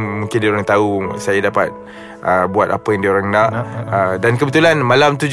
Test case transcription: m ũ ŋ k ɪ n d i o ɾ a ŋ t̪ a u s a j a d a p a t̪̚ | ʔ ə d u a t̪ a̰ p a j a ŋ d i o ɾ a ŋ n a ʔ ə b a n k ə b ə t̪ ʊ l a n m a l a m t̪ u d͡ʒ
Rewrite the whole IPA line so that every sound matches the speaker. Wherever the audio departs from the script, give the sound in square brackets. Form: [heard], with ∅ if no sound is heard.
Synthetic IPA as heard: m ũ ŋ k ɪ n d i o ɾ a ŋ t̪ a u s a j a d a p a t̪̚ | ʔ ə [b] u a t̪ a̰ p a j a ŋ d i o ɾ a ŋ n a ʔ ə [d] a n k ə b ə t̪ [u] l a n m a l a m t̪ u d͡ʒ